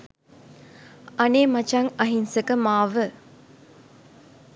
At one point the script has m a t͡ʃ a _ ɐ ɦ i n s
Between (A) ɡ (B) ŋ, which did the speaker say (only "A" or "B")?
B